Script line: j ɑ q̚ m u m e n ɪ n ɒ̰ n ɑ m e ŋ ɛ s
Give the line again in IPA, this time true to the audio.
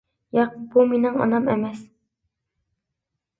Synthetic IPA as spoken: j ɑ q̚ b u m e n ɪ ŋ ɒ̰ n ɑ m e m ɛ s

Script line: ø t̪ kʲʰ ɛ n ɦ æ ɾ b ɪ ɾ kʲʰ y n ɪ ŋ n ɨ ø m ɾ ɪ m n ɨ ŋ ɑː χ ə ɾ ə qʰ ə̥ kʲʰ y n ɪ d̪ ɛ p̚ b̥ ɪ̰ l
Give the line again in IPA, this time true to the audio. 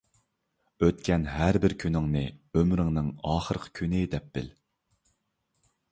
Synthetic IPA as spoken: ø t̪ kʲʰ ɛ n ɦ æ ɾ b ɪ ɾ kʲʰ y n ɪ ŋ n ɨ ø m ɾ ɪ ŋ n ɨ ŋ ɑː χ ə ɾ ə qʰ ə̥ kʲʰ y n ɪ d̪ ɛ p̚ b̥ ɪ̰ l

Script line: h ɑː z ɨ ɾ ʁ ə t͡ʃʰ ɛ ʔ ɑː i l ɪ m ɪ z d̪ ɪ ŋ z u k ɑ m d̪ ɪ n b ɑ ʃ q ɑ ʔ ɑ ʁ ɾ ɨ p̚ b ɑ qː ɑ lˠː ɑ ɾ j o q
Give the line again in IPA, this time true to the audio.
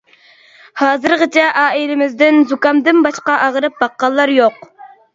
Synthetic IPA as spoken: h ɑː z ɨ ɾ ʁ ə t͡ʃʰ ɛ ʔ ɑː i l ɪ m ɪ z d̪ ɪ n z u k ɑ m d̪ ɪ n b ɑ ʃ q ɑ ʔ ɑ ʁ ɾ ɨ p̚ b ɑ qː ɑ lˠː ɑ ɾ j o q

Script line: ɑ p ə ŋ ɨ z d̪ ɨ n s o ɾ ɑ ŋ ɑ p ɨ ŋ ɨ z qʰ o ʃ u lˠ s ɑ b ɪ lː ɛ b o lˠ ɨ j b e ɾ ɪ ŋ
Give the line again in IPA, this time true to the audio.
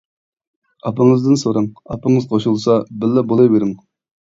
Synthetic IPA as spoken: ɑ p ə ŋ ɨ z d̪ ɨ n s o ɾ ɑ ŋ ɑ p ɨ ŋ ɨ z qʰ o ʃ u lˠ s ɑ b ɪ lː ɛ b o lˠ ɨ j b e ɾ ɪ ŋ

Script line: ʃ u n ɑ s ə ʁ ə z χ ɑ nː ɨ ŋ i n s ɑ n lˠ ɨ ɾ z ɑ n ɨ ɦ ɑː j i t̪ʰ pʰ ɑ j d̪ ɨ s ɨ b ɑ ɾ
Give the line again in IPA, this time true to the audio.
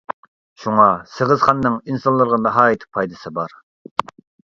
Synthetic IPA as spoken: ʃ u ŋ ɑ s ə ʁ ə z χ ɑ nː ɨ ŋ i n s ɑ n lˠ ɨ ɾ ʁ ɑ n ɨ ɦ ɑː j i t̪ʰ pʰ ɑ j d̪ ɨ s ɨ b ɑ ɾ

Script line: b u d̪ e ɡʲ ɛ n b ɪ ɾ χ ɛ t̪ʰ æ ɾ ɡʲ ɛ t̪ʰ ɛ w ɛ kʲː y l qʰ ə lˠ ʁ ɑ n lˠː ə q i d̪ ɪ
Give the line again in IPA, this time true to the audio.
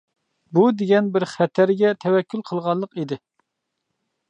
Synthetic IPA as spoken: b u d̪ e ɡʲ ɛ n b ɪ ɾ χ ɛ t̪ʰ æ ɾ ɡʲ ɛ t̪ʰ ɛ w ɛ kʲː y l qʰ ə lˠ ʁ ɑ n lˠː ə q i d̪ ɪ

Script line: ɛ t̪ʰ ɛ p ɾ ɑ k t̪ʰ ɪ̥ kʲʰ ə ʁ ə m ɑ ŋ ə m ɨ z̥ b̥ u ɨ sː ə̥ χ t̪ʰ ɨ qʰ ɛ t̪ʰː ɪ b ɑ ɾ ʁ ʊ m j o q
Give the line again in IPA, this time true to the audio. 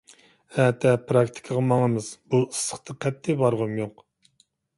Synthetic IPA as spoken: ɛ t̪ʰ ɛ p ɾ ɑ k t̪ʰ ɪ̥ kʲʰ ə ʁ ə m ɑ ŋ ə m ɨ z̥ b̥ u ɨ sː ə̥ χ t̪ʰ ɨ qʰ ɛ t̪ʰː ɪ b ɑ ɾ ʁ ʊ m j o q

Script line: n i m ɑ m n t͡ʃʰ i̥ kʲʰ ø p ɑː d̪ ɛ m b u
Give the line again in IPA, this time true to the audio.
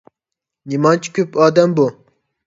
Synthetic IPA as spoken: n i m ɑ n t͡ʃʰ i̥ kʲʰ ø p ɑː d̪ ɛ m b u

